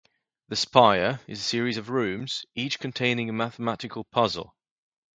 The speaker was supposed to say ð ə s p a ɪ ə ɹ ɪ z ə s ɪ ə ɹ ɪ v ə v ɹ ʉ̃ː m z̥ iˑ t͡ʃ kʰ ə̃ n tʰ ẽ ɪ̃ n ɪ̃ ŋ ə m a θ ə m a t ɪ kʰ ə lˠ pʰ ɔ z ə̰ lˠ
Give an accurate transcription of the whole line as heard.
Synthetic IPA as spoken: ð ə s p a ɪ ə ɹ ɪ z ə s ɪ ə ɹ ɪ z ə v ɹ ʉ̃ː m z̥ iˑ t͡ʃ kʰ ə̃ n tʰ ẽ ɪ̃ n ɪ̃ ŋ ə m a θ ə m a t ɪ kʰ ə lˠ pʰ ʌ z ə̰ lˠ